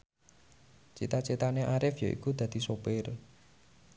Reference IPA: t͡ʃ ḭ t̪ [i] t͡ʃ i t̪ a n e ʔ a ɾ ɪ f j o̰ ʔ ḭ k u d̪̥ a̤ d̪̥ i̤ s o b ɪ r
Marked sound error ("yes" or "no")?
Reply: yes